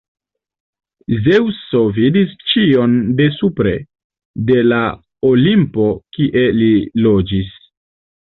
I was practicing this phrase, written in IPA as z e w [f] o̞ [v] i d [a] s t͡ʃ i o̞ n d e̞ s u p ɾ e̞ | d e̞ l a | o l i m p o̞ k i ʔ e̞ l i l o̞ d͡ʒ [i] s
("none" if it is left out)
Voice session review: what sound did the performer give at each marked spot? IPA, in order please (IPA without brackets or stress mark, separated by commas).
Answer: s, v, i, i